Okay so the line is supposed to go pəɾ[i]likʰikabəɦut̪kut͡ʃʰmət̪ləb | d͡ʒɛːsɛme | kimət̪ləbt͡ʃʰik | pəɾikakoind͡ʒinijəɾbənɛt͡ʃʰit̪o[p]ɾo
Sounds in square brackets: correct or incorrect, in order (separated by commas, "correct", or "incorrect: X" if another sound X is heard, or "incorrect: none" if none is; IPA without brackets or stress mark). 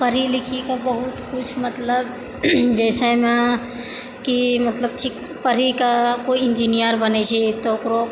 correct, incorrect: k